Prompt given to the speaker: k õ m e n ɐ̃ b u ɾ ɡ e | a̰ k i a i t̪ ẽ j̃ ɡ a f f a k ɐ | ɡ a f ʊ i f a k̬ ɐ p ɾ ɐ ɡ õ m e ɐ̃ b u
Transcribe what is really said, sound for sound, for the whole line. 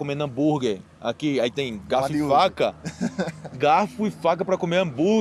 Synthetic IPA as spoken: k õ m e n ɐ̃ b u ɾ ɡ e | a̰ k i a i t̪ ẽ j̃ ɡ a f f a k ɐ | ɡ a f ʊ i f a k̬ ɐ p ɾ ɐ k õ m e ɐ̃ b u